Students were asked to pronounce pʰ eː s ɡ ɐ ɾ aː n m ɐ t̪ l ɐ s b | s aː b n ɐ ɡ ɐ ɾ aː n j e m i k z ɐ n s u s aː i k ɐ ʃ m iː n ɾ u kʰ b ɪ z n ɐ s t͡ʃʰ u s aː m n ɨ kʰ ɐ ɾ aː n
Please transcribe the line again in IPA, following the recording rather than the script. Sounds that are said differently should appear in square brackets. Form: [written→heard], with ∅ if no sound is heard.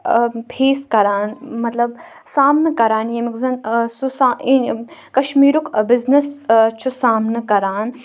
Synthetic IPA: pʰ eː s [ɡ→k] ɐ ɾ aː n m ɐ t̪ l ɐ [s→∅] b | s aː [b→m] n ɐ [ɡ→k] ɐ ɾ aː n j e m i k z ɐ n s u s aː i k ɐ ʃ m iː [n→∅] ɾ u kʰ b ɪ z n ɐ s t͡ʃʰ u s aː m n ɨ [kʰ→k] ɐ ɾ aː n